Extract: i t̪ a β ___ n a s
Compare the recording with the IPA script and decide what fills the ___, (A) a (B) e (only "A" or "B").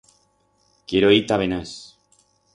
B